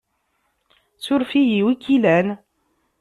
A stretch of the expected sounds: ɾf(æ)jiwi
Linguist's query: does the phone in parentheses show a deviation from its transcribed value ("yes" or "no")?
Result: yes